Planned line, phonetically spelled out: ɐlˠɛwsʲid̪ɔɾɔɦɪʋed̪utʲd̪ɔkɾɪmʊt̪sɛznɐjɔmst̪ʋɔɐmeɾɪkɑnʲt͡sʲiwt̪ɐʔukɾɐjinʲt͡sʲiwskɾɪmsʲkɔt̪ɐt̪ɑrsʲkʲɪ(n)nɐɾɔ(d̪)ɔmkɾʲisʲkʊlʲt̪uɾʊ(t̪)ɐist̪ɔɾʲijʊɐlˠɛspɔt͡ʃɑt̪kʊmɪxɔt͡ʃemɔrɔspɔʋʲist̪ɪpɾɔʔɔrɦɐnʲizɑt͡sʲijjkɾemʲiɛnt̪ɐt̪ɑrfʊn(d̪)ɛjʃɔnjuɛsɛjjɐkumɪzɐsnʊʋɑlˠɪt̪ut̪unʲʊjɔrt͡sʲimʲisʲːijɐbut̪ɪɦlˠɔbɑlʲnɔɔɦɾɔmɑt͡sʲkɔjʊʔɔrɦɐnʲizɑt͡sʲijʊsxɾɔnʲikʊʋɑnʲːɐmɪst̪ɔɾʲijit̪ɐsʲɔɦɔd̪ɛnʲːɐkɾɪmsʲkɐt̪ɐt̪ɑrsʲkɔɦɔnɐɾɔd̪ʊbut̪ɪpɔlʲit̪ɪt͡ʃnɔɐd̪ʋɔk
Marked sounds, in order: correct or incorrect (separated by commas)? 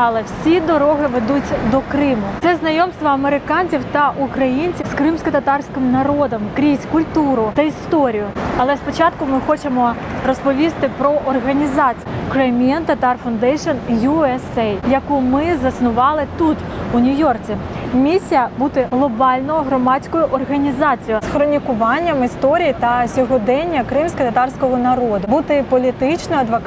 incorrect, correct, correct, correct